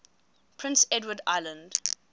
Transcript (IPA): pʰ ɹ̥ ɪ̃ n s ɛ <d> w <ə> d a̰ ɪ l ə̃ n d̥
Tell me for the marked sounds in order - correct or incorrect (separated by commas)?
correct, correct